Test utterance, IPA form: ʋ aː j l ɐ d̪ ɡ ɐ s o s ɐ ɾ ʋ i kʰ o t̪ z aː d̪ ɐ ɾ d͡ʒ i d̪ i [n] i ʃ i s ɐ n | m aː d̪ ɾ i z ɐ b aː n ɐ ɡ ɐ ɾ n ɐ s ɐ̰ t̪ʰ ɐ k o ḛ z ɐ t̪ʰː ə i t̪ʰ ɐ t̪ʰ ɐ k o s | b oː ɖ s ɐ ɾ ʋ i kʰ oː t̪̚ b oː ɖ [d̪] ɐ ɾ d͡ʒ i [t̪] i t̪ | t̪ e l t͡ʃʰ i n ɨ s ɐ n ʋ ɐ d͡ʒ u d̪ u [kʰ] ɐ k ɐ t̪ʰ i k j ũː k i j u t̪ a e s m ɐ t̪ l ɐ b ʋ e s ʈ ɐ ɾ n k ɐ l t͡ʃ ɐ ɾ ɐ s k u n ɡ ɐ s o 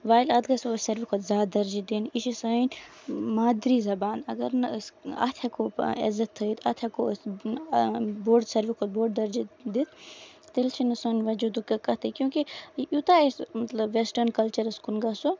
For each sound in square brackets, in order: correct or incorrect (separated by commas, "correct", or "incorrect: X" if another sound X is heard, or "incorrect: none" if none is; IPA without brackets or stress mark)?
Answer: correct, correct, incorrect: d̪, incorrect: k